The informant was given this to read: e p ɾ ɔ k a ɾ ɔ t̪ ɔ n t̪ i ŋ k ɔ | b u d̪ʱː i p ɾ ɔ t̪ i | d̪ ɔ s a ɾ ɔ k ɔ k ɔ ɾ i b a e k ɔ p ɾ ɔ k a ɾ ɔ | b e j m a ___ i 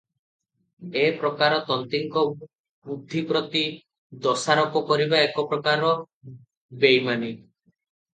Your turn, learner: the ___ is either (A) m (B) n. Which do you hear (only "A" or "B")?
B